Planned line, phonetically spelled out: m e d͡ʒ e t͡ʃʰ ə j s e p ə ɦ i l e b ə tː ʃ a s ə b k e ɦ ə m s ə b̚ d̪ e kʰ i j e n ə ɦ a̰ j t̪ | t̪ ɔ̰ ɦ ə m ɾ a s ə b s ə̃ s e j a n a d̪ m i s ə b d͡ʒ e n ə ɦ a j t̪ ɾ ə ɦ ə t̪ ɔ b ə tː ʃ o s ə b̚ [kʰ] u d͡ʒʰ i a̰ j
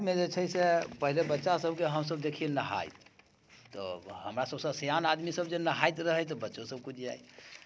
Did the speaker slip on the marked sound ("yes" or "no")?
yes